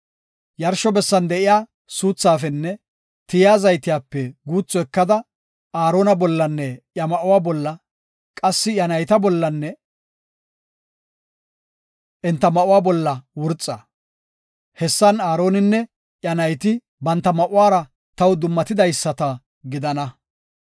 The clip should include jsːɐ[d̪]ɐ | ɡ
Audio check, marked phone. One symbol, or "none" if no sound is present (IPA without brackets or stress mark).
t̪